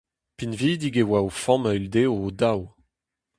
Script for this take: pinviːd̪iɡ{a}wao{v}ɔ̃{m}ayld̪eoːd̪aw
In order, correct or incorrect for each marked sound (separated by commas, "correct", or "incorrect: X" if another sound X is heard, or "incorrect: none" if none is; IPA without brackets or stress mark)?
incorrect: e, incorrect: f, correct